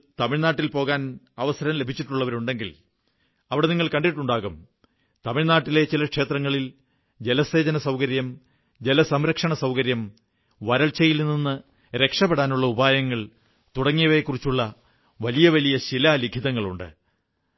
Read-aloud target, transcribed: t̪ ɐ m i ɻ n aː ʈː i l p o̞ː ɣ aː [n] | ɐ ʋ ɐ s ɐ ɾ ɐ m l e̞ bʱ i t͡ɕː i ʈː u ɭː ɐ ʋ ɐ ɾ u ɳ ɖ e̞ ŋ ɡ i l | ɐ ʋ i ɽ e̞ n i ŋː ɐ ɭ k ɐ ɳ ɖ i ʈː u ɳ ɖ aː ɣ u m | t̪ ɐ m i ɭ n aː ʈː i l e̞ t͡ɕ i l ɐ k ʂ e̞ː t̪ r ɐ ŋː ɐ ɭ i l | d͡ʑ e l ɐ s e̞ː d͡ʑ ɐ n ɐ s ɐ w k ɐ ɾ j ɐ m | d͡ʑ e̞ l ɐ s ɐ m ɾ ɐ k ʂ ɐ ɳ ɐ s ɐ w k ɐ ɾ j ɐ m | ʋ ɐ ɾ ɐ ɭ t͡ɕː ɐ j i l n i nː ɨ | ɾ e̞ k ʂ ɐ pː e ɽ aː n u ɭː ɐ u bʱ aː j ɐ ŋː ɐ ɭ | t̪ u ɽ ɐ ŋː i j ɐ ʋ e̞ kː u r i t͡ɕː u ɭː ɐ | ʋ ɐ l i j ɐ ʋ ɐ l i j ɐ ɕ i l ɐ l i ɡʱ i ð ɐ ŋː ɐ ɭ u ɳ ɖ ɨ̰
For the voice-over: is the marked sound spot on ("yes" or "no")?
yes